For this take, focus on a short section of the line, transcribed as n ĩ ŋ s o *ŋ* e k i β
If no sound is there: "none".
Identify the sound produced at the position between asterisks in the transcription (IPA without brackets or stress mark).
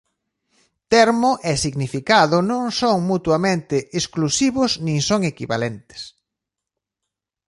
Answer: ŋ